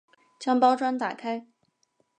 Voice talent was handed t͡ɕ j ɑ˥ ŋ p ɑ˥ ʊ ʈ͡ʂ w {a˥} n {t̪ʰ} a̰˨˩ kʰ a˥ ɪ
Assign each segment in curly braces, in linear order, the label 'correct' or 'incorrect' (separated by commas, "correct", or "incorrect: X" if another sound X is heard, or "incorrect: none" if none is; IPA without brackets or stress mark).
correct, incorrect: t̪